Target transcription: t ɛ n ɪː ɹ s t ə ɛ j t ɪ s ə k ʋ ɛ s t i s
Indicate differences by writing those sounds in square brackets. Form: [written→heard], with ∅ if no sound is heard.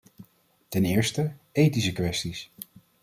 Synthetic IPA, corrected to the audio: t ɛ n ɪː ɹ s t ə [ɛ→e] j t [ɪ→i] s ə k ʋ ɛ s t i s